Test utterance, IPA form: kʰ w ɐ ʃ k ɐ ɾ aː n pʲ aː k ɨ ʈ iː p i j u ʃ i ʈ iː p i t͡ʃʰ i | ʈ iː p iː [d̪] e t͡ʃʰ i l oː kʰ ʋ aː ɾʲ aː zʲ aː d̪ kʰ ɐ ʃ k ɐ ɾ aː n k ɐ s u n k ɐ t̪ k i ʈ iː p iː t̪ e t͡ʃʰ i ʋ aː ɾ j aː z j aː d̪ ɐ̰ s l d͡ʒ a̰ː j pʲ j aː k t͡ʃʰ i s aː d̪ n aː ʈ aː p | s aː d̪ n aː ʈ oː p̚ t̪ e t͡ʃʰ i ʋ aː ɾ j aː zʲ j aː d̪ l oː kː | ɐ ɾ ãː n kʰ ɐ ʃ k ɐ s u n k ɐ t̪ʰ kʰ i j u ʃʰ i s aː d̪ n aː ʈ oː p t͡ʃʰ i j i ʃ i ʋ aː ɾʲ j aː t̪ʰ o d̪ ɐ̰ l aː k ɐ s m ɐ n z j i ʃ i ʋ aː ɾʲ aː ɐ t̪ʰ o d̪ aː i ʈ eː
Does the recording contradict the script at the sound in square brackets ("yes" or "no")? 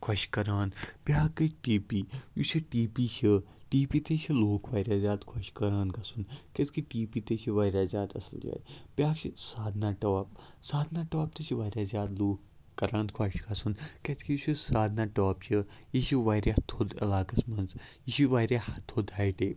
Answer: yes